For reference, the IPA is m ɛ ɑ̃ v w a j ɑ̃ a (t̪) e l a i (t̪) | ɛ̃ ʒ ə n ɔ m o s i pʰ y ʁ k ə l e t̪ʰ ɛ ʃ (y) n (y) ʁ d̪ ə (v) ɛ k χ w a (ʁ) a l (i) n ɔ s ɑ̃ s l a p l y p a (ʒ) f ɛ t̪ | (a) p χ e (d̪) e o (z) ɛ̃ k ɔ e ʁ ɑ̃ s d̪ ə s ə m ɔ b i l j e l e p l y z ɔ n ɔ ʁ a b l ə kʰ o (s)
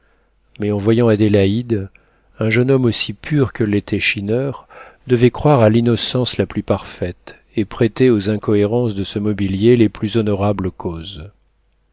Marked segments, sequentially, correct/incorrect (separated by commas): incorrect, incorrect, incorrect, incorrect, correct, correct, correct, incorrect, incorrect, incorrect, correct, incorrect